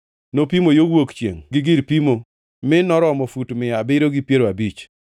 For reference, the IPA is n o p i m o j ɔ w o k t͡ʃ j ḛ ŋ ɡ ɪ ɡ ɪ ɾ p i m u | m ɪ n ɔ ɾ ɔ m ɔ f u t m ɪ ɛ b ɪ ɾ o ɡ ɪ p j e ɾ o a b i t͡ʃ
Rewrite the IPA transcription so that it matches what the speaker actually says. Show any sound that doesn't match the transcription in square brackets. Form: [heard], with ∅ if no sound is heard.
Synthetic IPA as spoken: n o p i m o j [o] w o k t͡ʃ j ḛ ŋ ɡ ɪ ɡ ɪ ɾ p i m [o] | m ɪ n ɔ ɾ ɔ m ɔ f u t m ɪ [a] b ɪ ɾ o ɡ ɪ p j e ɾ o a b i t͡ʃ